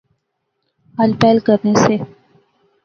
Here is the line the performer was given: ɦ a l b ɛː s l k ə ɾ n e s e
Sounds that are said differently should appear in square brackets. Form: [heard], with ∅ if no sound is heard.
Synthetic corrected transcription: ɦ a l [p] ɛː [∅] l k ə ɾ n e s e